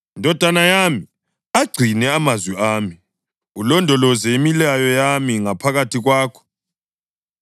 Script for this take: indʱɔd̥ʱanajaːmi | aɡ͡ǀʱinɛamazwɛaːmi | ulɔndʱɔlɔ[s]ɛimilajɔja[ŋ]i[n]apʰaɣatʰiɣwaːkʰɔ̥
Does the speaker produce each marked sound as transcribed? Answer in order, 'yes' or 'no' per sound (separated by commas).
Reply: no, no, no